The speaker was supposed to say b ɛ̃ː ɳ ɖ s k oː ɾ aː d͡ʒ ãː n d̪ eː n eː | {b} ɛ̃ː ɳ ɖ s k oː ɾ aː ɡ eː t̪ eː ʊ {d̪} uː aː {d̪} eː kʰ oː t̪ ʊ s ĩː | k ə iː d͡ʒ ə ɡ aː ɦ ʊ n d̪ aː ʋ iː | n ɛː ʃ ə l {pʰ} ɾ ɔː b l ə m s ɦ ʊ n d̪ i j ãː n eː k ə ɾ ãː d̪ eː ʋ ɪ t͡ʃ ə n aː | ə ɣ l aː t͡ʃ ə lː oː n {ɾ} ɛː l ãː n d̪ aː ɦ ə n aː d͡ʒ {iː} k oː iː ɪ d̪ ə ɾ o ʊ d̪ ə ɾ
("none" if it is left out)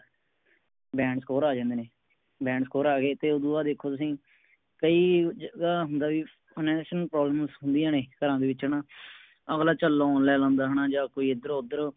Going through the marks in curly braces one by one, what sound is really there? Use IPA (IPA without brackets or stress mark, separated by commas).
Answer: b, d̪, d̪, p, l, aː